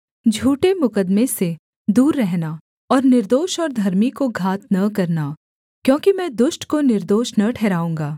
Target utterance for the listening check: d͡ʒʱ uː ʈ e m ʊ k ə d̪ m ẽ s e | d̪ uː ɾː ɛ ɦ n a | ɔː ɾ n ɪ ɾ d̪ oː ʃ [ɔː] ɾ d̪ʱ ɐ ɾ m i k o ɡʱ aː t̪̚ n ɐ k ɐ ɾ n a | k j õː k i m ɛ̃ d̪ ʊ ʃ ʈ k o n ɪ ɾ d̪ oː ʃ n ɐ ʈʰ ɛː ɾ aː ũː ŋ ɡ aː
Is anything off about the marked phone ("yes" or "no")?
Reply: no